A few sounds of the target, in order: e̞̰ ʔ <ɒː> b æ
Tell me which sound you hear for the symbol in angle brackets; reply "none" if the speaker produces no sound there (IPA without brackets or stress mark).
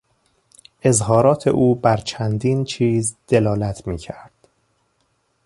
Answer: uː